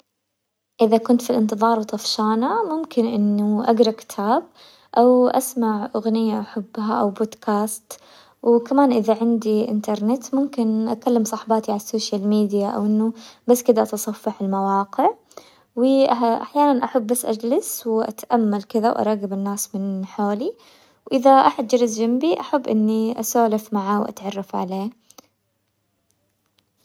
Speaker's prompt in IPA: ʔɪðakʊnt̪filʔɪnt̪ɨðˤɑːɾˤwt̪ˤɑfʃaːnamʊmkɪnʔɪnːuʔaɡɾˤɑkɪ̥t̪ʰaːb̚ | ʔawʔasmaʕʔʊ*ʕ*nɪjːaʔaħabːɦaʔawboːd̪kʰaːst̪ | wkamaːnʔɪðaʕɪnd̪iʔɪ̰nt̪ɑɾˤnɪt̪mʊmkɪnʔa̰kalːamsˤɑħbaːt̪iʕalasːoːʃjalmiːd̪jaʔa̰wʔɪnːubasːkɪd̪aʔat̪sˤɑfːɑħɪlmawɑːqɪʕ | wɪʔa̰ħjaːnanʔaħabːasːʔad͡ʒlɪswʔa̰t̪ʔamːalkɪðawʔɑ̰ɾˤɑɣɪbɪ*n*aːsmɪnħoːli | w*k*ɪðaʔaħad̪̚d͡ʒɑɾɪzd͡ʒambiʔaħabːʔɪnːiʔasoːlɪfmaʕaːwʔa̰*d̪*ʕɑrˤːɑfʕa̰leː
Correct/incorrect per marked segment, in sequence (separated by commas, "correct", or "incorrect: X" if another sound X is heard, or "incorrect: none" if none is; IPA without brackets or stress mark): incorrect: ɣ, incorrect: nː, incorrect: ʔ, incorrect: t̪